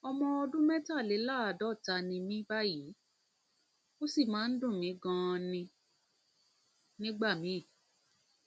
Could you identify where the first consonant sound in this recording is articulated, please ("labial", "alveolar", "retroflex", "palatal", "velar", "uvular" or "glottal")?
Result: labial